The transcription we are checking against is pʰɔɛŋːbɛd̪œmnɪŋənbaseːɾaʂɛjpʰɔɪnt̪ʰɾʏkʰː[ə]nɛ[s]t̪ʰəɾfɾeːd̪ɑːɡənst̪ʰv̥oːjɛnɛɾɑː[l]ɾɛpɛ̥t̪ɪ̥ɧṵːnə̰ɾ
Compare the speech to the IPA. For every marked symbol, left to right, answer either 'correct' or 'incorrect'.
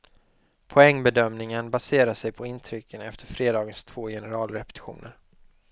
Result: correct, incorrect, correct

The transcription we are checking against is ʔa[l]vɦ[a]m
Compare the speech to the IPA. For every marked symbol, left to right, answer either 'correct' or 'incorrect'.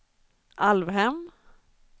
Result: correct, incorrect

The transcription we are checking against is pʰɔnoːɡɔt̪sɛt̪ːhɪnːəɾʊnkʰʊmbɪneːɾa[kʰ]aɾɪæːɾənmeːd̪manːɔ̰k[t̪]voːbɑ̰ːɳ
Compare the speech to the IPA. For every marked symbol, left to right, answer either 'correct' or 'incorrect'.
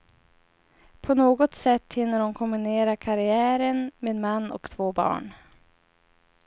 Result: correct, incorrect

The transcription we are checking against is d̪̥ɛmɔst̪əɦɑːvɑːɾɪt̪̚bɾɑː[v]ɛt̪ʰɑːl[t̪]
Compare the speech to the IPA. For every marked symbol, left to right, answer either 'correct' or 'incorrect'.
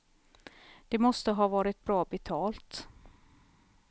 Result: incorrect, correct

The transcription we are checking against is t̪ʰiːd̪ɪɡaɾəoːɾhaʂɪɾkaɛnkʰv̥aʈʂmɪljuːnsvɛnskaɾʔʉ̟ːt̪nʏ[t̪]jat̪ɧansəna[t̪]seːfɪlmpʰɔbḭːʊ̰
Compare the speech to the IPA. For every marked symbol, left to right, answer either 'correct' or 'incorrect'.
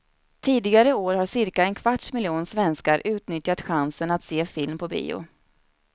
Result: correct, correct

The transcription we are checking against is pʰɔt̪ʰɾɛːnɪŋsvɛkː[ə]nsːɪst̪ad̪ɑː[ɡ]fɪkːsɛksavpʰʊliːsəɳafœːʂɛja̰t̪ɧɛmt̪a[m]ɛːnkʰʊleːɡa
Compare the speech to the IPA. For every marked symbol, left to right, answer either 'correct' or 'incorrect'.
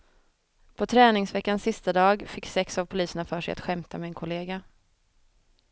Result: incorrect, correct, correct

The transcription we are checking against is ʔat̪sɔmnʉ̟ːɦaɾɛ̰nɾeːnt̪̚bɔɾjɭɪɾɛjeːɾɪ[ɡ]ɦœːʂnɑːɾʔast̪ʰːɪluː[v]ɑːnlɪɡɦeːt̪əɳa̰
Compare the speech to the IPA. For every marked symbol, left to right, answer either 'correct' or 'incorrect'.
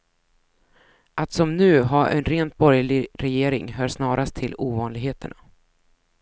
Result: incorrect, correct

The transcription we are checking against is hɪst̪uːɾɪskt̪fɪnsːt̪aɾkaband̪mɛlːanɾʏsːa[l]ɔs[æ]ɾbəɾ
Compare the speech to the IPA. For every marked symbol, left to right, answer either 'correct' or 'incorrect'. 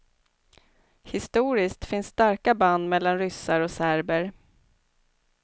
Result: incorrect, correct

